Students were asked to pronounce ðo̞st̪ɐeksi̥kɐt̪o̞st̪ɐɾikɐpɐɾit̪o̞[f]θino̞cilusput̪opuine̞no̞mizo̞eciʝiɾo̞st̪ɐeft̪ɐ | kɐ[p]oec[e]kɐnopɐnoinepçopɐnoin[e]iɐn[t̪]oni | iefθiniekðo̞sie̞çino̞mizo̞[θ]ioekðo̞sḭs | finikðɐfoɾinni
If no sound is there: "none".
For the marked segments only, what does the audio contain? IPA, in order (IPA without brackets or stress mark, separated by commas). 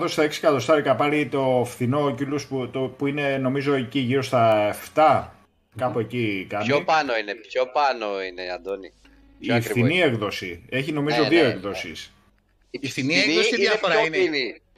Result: f, p, i, e, d̪, ð